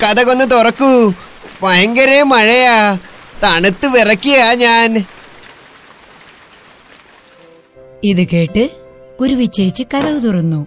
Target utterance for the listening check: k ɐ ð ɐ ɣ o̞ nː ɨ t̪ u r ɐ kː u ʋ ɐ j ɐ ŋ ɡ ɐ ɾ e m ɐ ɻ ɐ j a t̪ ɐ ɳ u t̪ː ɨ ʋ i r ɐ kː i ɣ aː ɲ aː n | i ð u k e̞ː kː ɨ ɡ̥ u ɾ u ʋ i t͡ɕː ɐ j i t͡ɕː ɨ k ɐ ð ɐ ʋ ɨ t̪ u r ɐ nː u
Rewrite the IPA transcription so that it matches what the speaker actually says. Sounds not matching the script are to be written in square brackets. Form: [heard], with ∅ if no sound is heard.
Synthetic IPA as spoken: k ɐ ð ɐ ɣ o̞ nː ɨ t̪ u r ɐ kː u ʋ ɐ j ɐ ŋ ɡ ɐ ɾ e m ɐ ɻ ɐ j a t̪ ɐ ɳ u t̪ː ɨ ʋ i r ɐ kː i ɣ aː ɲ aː n | i ð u k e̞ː [ʈː] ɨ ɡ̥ u ɾ u ʋ i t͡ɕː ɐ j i t͡ɕː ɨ k ɐ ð ɐ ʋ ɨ t̪ u r ɐ nː u